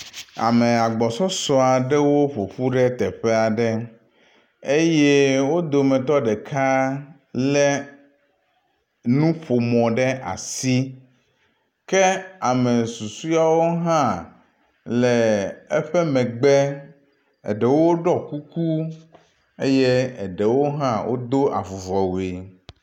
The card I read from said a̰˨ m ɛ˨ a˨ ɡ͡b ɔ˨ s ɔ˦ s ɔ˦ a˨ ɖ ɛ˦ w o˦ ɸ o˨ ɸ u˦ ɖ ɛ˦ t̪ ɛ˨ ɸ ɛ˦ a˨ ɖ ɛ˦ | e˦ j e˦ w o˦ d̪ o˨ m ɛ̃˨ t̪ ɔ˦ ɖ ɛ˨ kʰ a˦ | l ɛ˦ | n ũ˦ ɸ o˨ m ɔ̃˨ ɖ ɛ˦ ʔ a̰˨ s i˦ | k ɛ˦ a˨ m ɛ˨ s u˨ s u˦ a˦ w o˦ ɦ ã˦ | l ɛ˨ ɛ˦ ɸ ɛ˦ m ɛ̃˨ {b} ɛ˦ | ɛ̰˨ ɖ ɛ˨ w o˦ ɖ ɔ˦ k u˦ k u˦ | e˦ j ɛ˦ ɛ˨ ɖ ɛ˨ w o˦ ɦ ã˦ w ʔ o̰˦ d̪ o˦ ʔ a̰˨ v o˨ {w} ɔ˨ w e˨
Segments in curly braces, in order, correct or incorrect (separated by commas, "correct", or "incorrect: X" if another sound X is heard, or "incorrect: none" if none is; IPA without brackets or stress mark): incorrect: ɡ͡b, incorrect: v